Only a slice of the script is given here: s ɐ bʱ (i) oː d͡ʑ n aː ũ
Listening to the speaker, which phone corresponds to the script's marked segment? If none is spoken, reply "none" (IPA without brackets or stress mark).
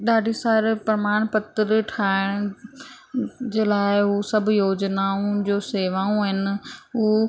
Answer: j